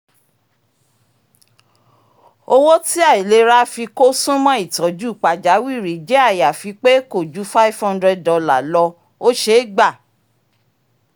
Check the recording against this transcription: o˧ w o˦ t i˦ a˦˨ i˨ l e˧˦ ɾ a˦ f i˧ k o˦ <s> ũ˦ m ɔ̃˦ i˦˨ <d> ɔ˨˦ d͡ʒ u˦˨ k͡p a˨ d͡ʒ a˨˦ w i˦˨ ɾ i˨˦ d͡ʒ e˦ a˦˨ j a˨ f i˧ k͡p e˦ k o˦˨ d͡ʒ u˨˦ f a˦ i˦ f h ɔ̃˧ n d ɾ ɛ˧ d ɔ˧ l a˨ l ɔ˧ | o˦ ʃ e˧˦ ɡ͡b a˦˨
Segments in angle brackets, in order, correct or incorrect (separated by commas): correct, incorrect